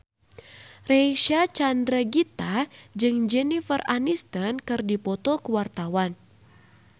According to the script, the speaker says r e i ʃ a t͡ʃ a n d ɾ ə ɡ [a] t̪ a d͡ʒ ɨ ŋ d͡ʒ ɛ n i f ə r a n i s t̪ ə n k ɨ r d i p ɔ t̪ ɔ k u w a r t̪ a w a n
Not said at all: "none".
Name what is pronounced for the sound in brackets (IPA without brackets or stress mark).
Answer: i